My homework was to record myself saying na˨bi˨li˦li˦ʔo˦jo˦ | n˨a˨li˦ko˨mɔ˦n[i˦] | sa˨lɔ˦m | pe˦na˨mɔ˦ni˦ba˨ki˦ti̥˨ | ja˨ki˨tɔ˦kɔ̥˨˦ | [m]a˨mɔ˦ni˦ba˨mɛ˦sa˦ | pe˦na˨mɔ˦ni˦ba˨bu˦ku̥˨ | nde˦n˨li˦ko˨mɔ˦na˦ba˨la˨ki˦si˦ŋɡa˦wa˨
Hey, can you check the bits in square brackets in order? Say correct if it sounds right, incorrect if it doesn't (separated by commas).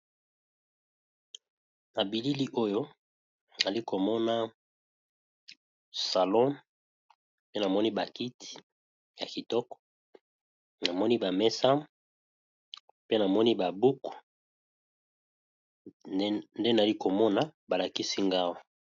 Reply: incorrect, incorrect